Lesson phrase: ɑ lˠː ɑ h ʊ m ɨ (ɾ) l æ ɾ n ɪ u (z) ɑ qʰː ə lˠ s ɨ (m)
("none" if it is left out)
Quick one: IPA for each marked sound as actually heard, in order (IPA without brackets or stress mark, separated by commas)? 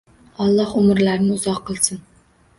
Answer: ɾ, z, n